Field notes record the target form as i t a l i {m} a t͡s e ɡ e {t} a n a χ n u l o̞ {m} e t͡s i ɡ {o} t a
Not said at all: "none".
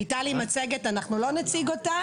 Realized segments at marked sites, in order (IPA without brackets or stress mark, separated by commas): m, t, n, o